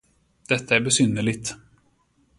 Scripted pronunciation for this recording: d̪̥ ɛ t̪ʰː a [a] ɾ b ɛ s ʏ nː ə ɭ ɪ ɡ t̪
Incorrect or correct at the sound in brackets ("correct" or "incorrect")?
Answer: incorrect